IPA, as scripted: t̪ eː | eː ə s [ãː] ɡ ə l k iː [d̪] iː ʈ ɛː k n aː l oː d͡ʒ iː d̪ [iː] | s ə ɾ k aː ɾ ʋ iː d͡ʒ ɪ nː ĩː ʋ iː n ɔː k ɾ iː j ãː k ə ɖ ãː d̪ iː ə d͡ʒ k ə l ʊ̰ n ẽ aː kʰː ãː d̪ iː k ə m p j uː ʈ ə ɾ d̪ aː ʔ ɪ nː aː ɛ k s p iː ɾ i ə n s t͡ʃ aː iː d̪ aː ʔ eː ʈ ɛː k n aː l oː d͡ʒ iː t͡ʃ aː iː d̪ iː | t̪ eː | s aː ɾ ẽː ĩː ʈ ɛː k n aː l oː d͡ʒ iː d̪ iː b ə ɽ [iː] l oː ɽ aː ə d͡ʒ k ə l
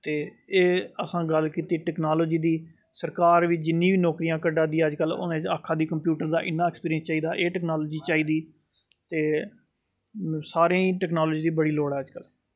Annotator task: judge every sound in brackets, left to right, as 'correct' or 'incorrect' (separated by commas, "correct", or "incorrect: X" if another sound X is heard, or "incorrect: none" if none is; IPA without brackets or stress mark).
correct, incorrect: t̪, correct, correct